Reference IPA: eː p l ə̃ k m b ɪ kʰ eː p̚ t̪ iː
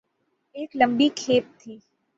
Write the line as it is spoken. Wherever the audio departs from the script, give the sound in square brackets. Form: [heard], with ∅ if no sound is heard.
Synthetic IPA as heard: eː [k] l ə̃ [∅] m b [i] kʰ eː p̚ [t̪ʰ] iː

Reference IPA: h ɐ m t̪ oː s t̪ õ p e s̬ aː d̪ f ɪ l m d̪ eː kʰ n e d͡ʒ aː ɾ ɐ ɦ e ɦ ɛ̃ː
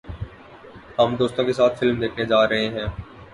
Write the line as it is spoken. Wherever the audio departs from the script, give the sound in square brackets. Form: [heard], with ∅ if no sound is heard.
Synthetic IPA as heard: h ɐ m [d̪] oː s t̪ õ [k] e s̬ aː [t̪] f ɪ l m d̪ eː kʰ n e d͡ʒ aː ɾ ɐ ɦ e ɦ ɛ̃ː

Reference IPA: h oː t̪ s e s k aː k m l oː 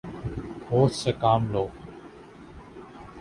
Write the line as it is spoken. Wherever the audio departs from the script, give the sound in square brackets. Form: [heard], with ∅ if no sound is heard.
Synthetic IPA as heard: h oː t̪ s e [∅] k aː [∅] m l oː

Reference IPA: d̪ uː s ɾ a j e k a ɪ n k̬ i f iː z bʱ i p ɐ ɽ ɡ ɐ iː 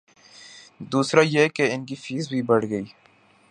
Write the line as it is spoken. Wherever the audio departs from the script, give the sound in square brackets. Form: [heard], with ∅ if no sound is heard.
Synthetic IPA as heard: d̪ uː s ɾ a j e k [e] ɪ n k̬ i f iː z bʱ i [b] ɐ ɽ ɡ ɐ iː

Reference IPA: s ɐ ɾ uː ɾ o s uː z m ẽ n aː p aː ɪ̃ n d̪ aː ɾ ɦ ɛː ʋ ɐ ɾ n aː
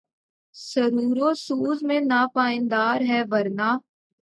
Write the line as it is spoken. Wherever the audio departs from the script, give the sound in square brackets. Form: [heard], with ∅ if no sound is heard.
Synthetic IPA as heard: s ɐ ɾ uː ɾ o s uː z m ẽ n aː p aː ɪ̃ n d̪ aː ɾ ɦ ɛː ʋ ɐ ɾ n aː

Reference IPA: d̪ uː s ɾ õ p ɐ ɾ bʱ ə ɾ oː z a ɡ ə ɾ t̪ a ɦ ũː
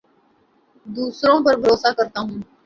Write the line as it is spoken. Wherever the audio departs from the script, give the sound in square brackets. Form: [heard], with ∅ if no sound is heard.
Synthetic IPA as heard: d̪ uː s ɾ õ p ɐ ɾ bʱ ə ɾ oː [s] a [k] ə ɾ t̪ a ɦ ũː

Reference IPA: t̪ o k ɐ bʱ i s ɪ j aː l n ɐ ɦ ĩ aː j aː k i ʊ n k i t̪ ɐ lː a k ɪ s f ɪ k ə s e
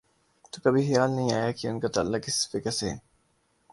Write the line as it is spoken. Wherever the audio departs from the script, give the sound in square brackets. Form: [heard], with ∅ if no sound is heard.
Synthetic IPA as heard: t̪ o k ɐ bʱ i [x] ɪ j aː l n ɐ ɦ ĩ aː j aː k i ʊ n k [a] t̪ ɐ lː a k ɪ s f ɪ k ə s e

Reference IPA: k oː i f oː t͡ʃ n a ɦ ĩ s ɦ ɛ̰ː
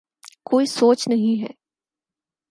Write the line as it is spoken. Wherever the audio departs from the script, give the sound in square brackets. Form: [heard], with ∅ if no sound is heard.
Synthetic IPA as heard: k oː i [s] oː t͡ʃ n [ɐ] ɦ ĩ [∅] ɦ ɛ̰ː

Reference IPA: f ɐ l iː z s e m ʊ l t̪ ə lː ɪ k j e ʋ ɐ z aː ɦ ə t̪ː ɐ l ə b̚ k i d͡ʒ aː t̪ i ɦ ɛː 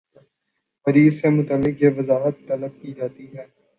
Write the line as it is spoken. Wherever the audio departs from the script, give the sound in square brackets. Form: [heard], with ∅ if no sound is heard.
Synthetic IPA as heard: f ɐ [ɾ] iː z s e m ʊ [∅] t̪ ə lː ɪ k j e ʋ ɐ z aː ɦ ə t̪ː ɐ l ə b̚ k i d͡ʒ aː t̪ i ɦ ɛː

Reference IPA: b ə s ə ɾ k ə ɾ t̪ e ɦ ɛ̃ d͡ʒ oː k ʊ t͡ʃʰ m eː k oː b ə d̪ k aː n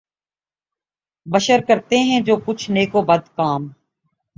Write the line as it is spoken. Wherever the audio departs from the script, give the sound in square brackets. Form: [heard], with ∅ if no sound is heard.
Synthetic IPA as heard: b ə [ʃ] ə ɾ k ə ɾ t̪ e ɦ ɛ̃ d͡ʒ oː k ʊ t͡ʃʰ [n] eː k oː b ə d̪ k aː [m]

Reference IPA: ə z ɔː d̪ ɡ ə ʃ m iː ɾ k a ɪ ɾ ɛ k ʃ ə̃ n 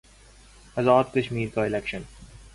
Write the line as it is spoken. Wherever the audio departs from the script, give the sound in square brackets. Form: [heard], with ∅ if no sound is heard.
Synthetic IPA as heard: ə z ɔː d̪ [k] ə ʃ m iː ɾ k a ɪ [l] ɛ k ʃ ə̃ n

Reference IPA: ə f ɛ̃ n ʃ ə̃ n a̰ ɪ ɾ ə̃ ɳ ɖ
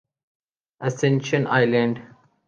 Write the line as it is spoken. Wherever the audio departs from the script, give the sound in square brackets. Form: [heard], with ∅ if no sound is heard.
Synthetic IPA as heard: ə [s] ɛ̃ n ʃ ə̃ n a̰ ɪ [l] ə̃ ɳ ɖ

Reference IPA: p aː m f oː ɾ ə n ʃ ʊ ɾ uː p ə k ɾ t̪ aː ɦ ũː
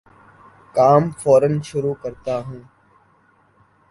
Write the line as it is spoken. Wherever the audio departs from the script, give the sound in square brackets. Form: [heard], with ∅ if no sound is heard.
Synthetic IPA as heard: [k] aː m f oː ɾ ə n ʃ ʊ ɾ uː [k] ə [∅] ɾ t̪ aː ɦ ũː

